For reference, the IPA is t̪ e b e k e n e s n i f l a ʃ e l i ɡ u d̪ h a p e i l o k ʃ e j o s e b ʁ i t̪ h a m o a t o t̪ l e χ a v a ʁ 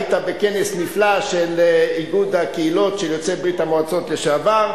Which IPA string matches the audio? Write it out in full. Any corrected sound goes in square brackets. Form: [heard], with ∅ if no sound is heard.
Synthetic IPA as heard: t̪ [a] b e k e n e s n i f l a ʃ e l i ɡ u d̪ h a [k] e i l o [t] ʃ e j o [t͡s] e b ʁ i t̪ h a m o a [t͡s] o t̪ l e [ʃ] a v a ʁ